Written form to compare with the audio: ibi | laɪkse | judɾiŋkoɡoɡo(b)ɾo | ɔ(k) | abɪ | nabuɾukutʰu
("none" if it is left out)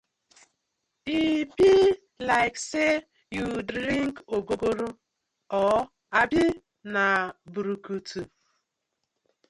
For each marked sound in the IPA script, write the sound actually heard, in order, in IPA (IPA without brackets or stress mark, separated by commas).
none, none